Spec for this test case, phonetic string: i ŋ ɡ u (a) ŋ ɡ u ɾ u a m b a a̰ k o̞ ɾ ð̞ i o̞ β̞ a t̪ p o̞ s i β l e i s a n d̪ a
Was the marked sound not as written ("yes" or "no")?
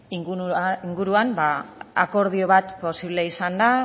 yes